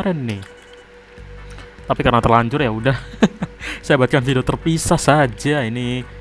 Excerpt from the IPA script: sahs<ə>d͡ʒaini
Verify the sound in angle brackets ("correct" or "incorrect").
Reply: incorrect